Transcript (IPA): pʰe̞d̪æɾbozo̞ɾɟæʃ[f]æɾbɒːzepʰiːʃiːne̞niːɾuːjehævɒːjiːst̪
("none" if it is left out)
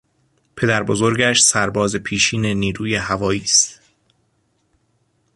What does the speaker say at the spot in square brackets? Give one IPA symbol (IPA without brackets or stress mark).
s